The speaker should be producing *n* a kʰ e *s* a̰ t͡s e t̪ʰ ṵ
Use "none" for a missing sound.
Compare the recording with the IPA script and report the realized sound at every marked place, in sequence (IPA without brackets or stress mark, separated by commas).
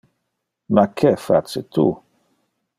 m, f